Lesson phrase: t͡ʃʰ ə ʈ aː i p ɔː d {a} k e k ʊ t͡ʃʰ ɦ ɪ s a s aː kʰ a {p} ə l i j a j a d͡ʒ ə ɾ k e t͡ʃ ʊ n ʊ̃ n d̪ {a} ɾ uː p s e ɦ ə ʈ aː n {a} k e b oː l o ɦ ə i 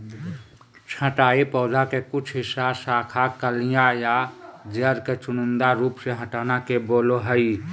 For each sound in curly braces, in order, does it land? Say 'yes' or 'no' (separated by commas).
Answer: yes, no, yes, yes